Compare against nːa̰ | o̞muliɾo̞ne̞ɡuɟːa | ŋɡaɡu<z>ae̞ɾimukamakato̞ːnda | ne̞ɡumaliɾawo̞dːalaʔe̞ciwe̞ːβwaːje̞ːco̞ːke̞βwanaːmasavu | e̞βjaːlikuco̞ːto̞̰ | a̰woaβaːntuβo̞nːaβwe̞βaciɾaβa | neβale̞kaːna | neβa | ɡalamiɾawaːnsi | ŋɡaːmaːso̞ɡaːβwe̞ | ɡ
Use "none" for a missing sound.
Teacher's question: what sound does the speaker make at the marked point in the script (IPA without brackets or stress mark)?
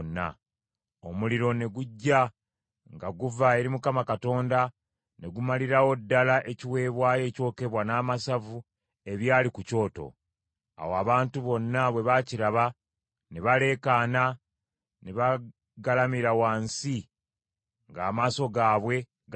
v